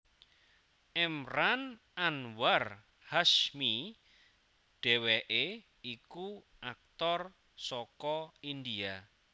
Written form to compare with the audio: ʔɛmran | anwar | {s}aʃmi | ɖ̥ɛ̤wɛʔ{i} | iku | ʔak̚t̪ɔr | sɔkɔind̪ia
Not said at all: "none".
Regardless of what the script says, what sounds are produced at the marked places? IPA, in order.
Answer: h, e

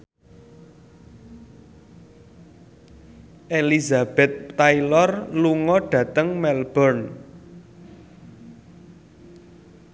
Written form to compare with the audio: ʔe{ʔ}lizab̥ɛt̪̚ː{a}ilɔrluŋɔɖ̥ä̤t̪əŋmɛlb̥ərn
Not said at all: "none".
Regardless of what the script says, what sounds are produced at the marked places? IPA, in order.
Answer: none, a

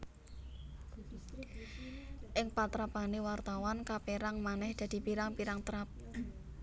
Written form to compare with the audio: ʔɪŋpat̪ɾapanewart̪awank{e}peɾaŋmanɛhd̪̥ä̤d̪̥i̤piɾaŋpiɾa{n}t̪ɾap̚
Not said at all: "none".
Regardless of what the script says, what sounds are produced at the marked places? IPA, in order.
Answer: a, ŋ

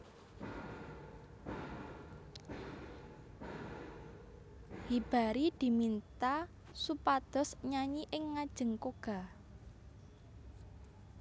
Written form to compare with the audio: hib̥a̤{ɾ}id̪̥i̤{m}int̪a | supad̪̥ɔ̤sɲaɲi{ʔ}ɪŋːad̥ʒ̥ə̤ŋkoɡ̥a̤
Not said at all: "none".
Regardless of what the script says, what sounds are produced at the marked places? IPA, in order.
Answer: ɾ, m, ʔ

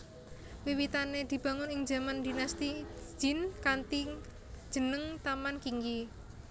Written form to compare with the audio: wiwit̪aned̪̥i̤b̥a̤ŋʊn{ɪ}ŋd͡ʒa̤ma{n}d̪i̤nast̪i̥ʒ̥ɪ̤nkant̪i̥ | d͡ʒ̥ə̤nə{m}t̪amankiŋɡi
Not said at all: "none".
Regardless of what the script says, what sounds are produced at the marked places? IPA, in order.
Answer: ɪ, n, ŋ

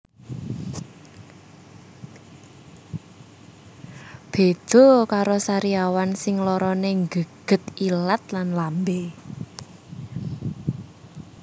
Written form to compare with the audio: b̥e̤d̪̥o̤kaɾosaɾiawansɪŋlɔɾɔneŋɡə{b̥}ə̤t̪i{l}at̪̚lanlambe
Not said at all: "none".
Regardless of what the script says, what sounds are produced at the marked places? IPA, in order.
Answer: ɡ̥, l

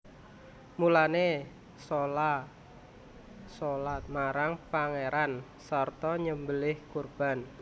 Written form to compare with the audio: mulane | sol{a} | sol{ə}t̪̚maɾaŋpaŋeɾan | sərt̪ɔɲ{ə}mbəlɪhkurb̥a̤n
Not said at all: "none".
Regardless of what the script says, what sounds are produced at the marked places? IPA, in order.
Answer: a, a, ə

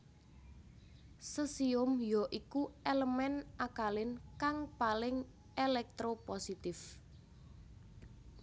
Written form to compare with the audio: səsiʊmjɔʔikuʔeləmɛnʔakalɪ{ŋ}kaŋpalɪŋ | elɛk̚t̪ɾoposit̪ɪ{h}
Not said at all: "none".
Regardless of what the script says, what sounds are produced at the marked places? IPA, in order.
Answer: n, f

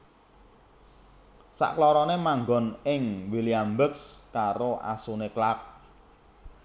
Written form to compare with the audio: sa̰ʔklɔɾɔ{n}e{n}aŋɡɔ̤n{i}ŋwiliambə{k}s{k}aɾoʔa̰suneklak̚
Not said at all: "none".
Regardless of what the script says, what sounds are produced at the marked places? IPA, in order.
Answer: n, m, ɪ, k, k

